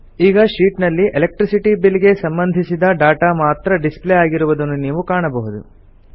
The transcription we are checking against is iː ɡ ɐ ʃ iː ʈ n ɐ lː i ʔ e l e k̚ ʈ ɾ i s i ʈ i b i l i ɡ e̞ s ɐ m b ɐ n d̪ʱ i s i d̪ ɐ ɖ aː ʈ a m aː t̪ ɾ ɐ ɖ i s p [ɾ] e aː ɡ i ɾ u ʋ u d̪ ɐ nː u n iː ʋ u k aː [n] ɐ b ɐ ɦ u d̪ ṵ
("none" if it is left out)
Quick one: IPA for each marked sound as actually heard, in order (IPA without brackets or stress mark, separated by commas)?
l, ɳ